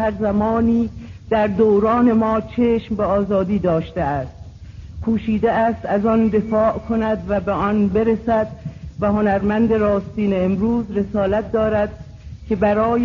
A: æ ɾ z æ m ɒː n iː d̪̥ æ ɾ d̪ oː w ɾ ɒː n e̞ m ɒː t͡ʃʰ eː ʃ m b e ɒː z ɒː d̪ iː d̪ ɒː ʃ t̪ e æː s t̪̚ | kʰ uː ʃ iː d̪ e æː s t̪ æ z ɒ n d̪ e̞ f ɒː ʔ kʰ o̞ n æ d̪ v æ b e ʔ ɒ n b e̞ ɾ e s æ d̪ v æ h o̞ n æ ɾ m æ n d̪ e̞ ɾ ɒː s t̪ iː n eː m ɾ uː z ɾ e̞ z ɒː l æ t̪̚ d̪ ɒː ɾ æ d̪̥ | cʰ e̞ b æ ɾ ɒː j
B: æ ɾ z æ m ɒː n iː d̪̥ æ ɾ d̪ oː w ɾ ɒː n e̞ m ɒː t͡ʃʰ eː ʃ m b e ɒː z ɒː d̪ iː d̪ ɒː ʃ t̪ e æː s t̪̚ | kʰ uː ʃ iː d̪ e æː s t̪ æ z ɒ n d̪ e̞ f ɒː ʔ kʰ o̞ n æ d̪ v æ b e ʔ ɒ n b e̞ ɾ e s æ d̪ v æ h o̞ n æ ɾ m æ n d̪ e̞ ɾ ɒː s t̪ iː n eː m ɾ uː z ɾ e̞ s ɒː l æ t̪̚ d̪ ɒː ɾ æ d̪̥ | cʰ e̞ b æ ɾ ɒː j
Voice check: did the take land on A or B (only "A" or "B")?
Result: B